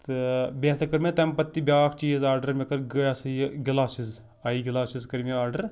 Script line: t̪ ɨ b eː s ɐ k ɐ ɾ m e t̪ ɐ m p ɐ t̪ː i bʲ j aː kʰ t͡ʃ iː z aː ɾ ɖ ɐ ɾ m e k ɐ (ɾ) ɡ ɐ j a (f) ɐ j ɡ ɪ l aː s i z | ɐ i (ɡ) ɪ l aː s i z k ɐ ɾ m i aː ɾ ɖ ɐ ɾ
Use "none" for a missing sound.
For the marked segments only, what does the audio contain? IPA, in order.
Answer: ɾ, s, ɡ

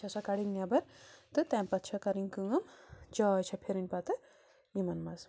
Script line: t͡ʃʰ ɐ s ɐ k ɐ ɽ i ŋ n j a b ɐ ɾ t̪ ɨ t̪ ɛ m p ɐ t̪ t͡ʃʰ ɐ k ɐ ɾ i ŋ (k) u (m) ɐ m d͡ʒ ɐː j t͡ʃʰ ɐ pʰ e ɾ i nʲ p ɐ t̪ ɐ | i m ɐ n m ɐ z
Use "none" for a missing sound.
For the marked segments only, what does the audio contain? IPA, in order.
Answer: k, ŋ

